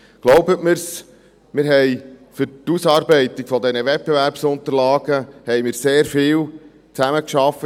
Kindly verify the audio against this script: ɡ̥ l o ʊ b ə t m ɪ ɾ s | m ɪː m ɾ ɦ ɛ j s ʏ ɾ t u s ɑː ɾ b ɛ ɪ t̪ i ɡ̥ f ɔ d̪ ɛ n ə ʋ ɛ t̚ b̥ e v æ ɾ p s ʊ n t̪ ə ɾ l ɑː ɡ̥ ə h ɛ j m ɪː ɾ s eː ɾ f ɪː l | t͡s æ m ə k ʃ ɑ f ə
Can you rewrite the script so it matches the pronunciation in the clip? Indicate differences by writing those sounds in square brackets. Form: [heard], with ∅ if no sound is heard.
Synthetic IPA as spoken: ɡ̥ l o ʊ b ə t m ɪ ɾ s | m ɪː [∅] ɾ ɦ ɛ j [f] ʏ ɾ t u s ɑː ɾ b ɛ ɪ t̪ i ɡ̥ f ɔ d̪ ɛ n ə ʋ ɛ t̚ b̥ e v æ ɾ p s ʊ n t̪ ə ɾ l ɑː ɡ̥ ə h ɛ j m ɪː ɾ s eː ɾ f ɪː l | t͡s æ m ə k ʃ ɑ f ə